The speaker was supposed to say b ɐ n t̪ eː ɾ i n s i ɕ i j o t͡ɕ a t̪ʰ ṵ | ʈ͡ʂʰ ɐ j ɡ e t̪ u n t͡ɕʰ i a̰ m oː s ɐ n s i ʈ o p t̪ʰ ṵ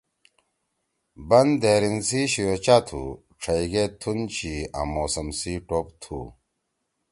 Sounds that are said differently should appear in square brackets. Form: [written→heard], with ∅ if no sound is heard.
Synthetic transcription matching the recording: b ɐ n [t̪→d̪] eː ɾ i n s i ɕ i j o t͡ɕ a t̪ʰ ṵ | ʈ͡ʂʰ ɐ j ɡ e [t̪→t̪ʰ] u n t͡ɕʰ i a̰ m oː s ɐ [n→m] s i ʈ o p t̪ʰ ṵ